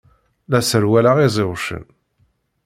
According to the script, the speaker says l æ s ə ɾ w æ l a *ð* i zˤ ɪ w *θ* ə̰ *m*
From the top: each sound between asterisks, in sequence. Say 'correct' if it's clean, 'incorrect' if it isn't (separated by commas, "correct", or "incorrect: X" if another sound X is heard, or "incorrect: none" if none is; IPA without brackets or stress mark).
incorrect: ʁ, incorrect: ʃ, incorrect: n